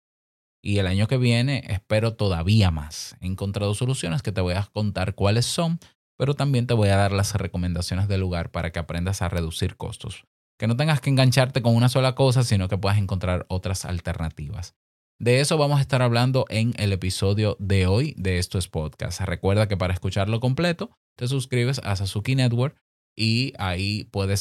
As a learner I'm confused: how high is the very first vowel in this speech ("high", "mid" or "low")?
high